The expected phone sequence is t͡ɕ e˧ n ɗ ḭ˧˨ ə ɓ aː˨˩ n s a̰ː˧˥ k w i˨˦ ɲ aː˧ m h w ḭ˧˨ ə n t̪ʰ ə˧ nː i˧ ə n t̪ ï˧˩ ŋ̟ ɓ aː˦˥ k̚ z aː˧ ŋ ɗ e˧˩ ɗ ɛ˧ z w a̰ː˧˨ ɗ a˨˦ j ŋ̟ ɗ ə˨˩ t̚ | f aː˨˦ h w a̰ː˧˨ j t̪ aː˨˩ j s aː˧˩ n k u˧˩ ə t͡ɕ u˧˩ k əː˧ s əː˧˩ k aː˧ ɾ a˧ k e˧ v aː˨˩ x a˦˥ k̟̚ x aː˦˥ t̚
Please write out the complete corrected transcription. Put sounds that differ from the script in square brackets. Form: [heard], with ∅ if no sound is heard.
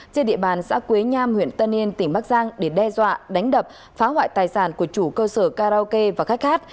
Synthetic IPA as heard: t͡ɕ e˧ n ɗ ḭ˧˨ ə ɓ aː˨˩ n s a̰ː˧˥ k w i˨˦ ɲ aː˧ m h w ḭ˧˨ ə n [t̪] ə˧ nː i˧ ə n t̪ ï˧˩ ŋ̟ ɓ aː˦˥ k̚ z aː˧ ŋ ɗ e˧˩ ɗ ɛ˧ z w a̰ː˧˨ ɗ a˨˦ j ŋ̟ ɗ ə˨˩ [p̚] | f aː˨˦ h w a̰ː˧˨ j t̪ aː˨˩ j s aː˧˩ n k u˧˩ ə t͡ɕ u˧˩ k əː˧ s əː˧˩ k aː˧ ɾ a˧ k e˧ v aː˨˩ x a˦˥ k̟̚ x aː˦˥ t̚